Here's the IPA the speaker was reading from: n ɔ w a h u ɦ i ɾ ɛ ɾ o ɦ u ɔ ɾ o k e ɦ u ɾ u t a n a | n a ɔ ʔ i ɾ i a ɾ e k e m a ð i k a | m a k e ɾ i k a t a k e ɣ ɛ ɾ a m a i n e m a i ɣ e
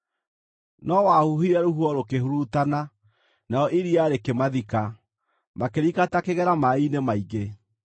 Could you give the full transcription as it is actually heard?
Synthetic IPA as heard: n ɔ w a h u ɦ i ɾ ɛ ɾ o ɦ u ɔ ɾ o k e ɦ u ɾ u t a n a | n a ɔ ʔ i ɾ i a ɾ e k e m a ð i k a | m a k e ɾ i k a t a k e ɣ ɛ ɾ a m a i n e m a i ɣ e